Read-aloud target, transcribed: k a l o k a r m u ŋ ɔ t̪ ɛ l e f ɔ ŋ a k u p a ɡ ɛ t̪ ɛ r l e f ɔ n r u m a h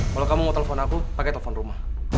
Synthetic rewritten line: k a l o k a m u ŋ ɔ t̪ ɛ l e f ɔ n a k u p a k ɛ t̪ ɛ l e f ɔ n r u m a h